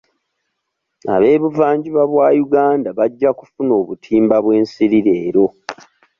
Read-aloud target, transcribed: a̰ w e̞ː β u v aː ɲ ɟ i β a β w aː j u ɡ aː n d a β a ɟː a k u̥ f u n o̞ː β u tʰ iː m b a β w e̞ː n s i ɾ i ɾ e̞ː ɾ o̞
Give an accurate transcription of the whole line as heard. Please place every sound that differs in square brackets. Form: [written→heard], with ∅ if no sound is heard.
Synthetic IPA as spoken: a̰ [w→β] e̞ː β u v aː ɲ ɟ i β a β w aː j u ɡ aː n d a β a ɟː a k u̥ f u n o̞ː β u tʰ iː m b a β w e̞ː n s i ɾ i ɾ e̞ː ɾ o̞